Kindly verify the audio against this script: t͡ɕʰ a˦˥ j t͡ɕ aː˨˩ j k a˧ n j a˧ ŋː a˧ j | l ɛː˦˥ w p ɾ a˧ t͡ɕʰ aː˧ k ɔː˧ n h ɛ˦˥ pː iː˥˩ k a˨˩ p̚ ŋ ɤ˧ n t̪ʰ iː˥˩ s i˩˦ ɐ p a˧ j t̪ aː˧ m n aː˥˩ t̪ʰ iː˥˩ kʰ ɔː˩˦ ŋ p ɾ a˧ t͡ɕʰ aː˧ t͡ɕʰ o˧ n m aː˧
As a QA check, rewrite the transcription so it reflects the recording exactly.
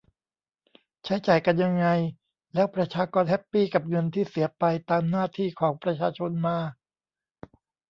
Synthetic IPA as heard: t͡ɕʰ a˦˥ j t͡ɕ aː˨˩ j k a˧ n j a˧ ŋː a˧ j | l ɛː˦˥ w p ɾ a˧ t͡ɕʰ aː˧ k ɔː˧ n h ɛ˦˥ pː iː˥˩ k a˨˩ p̚ ŋ ɤ˧ n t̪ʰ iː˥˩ s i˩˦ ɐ p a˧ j t̪ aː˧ m n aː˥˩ t̪ʰ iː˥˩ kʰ ɔː˩˦ ŋ p ɾ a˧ t͡ɕʰ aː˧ t͡ɕʰ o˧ n m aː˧